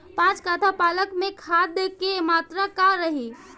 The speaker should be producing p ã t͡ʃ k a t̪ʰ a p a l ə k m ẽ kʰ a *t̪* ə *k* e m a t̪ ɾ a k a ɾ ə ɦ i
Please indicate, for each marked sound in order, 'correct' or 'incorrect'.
incorrect: d̪, correct

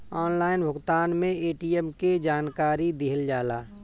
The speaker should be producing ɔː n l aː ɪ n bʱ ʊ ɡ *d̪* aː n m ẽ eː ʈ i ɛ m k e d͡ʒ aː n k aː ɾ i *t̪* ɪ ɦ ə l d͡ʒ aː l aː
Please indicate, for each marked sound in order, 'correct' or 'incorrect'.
incorrect: t̪, incorrect: d̪

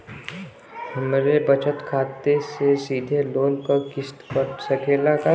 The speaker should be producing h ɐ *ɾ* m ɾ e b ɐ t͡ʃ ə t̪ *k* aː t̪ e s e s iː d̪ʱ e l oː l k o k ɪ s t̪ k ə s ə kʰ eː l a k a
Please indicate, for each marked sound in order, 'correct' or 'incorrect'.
incorrect: none, incorrect: kʰ

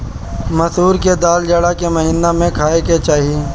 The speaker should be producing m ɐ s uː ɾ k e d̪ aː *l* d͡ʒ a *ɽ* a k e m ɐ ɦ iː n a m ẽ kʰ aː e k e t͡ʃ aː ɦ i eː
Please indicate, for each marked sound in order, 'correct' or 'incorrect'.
correct, correct

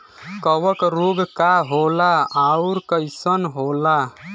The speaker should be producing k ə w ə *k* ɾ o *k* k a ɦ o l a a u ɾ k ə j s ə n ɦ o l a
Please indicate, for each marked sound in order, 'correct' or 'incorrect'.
correct, incorrect: ɡ

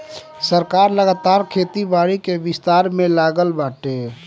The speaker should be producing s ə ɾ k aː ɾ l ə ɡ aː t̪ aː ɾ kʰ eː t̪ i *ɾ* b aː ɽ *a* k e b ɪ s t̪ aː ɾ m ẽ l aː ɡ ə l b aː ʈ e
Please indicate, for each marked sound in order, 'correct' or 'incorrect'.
incorrect: none, incorrect: i

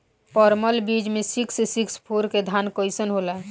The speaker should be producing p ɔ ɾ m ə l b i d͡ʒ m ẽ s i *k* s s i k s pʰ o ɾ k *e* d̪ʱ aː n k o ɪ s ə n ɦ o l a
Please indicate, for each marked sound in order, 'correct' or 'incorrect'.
correct, correct

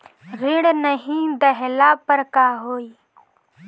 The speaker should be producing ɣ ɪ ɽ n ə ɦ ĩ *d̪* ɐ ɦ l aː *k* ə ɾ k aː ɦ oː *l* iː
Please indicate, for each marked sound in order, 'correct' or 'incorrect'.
correct, incorrect: p, incorrect: none

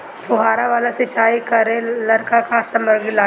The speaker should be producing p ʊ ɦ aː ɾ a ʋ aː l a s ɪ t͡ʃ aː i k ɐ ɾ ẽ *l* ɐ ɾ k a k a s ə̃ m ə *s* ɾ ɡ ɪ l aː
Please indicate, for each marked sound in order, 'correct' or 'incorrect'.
correct, incorrect: none

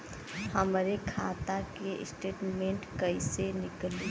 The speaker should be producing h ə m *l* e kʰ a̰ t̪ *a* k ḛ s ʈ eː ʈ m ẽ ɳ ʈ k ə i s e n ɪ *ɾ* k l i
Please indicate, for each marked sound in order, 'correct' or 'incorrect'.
incorrect: ɾ, correct, incorrect: none

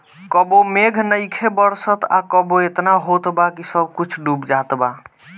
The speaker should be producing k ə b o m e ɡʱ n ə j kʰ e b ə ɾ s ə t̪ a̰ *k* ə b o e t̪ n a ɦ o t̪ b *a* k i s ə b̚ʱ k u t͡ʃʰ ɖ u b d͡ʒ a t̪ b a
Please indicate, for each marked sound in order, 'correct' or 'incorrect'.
correct, correct

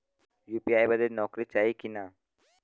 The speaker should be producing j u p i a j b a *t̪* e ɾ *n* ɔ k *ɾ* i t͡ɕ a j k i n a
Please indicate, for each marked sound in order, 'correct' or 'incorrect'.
incorrect: d̪, correct, correct

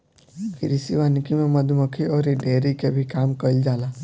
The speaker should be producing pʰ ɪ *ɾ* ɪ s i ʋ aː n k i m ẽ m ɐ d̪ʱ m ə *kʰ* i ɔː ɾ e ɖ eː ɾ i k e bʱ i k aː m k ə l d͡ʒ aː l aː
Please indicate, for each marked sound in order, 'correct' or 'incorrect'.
correct, correct

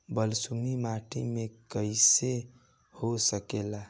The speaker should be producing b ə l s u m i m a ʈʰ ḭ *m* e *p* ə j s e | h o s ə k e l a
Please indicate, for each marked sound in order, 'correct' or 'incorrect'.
correct, incorrect: k

